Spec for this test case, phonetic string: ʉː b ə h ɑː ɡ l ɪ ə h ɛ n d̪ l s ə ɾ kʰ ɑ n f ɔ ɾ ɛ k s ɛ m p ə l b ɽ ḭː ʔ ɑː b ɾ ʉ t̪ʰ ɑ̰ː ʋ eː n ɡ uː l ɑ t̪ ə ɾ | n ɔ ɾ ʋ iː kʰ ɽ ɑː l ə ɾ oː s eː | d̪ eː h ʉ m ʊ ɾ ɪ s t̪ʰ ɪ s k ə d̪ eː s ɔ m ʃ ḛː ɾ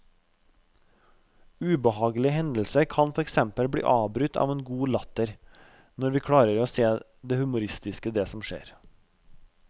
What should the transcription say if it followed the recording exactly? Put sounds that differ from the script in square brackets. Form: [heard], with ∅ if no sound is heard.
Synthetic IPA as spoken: ʉː b ə h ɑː ɡ l ɪ ə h ɛ n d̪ l s ə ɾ kʰ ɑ n f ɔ ɾ ɛ k s ɛ m p ə l b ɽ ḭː ʔ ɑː b ɾ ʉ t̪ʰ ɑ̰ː ʋ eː n ɡ uː l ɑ t̪ ə ɾ | n ɔ ɾ ʋ iː kʰ ɽ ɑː [ɾ] ə ɾ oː s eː | d̪ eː h ʉ m ʊ ɾ ɪ s [t̪] ɪ s k ə d̪ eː s ɔ m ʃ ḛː ɾ